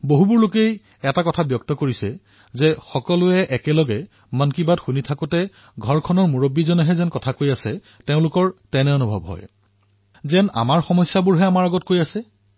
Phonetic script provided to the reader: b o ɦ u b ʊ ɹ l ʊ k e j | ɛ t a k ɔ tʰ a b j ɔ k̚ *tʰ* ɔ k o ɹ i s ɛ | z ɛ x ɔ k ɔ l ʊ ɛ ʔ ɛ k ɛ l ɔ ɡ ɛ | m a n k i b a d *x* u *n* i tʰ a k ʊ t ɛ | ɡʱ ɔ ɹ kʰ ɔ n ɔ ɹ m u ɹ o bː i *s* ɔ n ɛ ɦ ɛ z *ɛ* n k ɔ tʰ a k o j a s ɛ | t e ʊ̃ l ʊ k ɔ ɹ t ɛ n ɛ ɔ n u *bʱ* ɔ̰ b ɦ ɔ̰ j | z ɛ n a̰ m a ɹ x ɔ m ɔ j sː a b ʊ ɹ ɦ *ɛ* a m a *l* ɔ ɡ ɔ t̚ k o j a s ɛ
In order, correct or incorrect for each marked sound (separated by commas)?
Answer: incorrect, correct, correct, incorrect, correct, correct, correct, incorrect